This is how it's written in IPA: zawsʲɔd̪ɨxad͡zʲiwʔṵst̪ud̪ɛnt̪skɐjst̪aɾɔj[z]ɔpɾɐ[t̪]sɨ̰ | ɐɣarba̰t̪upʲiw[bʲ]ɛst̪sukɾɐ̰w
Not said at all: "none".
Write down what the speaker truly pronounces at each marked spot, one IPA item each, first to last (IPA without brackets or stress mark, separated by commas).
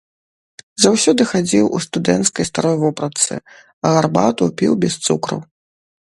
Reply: v, t̪, bʲ